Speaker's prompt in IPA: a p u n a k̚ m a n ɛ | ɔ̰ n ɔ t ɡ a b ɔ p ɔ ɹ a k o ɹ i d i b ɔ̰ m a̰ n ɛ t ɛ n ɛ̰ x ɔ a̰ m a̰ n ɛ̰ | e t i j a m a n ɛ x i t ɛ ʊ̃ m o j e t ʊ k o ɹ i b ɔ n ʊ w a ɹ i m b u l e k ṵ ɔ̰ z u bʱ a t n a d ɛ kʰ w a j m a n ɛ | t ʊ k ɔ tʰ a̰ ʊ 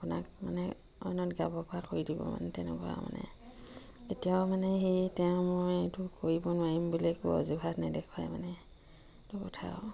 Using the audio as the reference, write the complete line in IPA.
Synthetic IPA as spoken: a p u n a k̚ m a n ɛ | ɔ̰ n ɔ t ɡ a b ɔ p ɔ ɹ a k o ɹ i d i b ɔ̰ m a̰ n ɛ t ɛ n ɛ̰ k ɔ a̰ m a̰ n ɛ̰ | e t i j a m a n ɛ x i t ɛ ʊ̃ m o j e t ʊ k o ɹ i b ɔ n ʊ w a ɹ i m b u l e k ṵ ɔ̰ z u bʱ a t n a d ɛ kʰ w a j m a n ɛ | t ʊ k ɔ tʰ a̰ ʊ